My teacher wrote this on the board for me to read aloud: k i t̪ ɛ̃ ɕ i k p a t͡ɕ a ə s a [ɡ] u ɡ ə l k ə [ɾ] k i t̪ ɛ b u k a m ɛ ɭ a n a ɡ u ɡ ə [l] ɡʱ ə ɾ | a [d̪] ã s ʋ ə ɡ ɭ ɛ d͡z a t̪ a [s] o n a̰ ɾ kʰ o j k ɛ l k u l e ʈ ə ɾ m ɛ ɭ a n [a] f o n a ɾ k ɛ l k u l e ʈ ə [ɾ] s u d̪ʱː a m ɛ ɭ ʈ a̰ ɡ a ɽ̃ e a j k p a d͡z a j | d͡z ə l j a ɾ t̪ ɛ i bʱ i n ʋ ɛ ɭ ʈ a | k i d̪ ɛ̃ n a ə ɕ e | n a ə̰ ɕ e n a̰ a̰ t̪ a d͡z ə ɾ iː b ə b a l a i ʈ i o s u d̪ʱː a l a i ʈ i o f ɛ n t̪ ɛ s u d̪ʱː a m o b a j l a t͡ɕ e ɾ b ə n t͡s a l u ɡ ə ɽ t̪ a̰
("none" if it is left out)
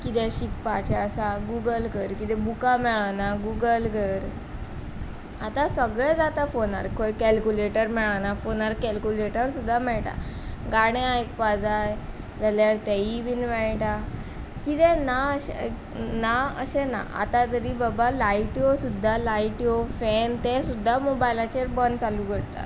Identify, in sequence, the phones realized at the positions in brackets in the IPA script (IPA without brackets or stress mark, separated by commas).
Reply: ɡ, ɾ, l, t̪, f, a, ɾ